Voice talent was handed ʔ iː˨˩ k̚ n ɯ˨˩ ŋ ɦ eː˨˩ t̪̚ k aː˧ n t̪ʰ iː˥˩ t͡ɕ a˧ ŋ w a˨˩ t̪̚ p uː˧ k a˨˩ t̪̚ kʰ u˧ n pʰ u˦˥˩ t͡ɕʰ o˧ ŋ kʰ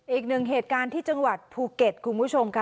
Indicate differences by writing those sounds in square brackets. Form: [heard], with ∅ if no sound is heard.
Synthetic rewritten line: ʔ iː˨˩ k̚ n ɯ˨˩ ŋ ɦ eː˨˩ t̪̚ k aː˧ n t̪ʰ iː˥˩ t͡ɕ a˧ ŋ w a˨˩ t̪̚ [pʰ] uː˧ k [e˨˩] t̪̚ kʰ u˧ n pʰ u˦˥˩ t͡ɕʰ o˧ [m] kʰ